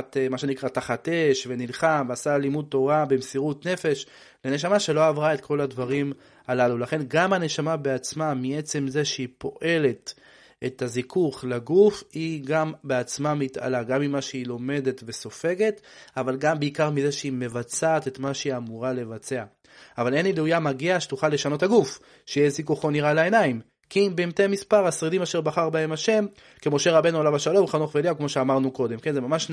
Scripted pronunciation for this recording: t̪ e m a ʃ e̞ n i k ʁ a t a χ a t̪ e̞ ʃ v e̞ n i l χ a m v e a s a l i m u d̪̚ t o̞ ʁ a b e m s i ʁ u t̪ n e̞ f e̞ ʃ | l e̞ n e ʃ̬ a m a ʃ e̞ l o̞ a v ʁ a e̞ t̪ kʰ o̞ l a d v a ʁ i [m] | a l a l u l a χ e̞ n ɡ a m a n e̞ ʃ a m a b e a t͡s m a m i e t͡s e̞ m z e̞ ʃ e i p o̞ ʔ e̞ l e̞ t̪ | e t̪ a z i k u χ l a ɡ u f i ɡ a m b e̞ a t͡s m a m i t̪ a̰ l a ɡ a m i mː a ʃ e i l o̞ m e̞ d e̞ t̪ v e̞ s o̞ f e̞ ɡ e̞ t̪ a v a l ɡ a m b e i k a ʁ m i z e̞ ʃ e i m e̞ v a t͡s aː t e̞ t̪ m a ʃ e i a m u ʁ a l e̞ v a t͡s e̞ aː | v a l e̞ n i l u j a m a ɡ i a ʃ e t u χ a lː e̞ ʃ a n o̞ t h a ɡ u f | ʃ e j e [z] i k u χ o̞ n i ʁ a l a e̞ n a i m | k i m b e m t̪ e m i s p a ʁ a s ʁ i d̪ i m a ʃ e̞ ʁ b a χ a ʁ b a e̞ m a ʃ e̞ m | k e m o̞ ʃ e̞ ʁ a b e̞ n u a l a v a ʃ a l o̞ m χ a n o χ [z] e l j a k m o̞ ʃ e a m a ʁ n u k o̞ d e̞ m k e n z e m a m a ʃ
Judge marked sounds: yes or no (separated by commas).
yes, yes, no